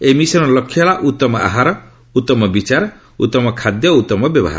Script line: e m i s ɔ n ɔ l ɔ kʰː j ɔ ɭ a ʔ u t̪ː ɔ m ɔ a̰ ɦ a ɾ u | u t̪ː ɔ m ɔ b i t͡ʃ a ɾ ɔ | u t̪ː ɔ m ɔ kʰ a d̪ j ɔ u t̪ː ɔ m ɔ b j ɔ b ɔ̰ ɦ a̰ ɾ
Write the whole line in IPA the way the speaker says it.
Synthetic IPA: e m i s ɔ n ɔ l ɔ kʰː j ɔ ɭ a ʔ u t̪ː ɔ m ɔ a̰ ɦ a ɾ ɔ | u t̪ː ɔ m ɔ b i t͡ʃ a ɾ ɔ | u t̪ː ɔ m ɔ kʰ a d̪ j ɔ u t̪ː ɔ m ɔ b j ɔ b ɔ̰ ɦ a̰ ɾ